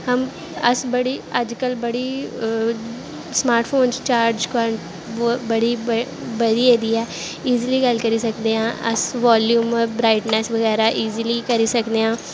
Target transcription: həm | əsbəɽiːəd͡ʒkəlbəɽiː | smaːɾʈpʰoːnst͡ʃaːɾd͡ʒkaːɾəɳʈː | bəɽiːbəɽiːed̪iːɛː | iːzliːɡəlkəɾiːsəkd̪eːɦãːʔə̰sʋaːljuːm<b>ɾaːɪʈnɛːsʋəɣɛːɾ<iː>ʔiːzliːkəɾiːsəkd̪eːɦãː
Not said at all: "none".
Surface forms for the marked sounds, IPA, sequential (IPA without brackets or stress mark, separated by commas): b, aː